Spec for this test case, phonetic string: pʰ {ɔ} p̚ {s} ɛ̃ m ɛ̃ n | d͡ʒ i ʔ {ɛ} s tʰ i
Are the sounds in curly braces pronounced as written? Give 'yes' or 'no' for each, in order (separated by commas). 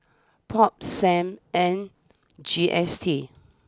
yes, yes, yes